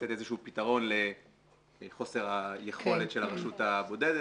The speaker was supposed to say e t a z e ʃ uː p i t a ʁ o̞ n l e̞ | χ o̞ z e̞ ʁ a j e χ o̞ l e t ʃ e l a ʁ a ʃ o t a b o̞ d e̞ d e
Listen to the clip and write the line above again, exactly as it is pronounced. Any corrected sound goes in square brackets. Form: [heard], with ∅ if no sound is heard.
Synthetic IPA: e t [e] z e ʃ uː p i t a ʁ o̞ n l e̞ | χ o̞ [s] e̞ ʁ a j e χ o̞ l e t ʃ e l a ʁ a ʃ [u] t a b o̞ d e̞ d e